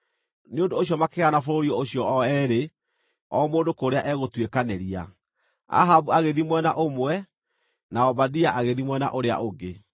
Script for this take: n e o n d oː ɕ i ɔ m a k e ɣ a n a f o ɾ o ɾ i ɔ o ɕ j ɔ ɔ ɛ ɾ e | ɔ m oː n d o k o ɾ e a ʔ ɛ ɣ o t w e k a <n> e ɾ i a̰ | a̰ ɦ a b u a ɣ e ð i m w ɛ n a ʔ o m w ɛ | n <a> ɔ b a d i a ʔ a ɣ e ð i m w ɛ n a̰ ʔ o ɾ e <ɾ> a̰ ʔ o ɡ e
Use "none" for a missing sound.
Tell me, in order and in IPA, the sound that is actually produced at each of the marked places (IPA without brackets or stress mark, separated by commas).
n, a, none